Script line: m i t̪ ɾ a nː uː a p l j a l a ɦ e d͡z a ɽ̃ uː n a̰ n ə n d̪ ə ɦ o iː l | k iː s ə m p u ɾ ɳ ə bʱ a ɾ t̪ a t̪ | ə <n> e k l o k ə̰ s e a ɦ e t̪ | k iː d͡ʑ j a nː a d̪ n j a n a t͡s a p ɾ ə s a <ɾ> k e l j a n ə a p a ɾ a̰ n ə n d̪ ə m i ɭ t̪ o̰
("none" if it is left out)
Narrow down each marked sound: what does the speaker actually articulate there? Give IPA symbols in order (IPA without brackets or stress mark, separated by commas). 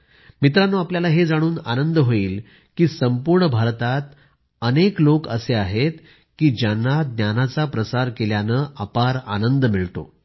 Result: n, ɾ